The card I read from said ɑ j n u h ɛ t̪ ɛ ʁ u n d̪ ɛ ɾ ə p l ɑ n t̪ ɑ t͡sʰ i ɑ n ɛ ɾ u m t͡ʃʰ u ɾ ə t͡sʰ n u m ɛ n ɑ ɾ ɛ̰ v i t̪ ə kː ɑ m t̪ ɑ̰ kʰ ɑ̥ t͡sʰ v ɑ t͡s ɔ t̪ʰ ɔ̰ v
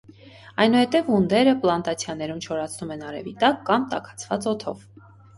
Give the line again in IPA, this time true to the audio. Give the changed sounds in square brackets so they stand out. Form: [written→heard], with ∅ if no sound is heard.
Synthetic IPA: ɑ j n u h ɛ t̪ ɛ [ʁ→v] u n d̪ ɛ ɾ ə p l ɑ n t̪ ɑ t͡sʰ [i→j] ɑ n ɛ ɾ u m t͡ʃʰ [u→ɔ] ɾ [ə→ɑ] t͡sʰ n u m ɛ n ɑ ɾ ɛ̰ v i t̪ [ə→ɑ] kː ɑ m t̪ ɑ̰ kʰ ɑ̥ t͡sʰ v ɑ t͡s ɔ t̪ʰ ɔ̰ v